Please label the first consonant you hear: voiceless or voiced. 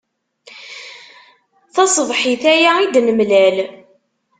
voiceless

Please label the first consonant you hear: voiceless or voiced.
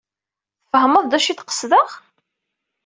voiceless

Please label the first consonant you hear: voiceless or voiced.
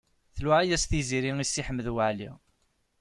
voiceless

